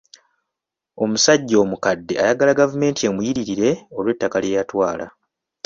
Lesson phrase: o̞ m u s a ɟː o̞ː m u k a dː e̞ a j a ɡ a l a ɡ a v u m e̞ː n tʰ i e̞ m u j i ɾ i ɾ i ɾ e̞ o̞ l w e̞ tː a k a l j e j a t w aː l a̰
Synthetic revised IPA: o̞ m u s a ɟː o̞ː m u k a dː e̞ a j a ɡ a l a ɡ a v u m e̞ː n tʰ i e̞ m u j i ɾ i ɾ i ɾ e̞ o̞ l w e̞ tː a k a l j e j a t w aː l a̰